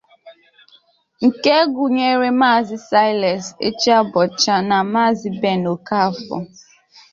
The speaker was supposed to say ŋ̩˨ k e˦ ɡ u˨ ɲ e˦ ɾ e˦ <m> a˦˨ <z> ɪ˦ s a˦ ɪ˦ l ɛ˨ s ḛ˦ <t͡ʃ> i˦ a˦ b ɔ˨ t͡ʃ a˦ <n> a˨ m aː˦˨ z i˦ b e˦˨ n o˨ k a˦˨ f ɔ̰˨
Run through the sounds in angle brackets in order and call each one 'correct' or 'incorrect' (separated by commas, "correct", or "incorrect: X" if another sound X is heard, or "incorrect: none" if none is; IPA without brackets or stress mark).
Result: correct, correct, correct, correct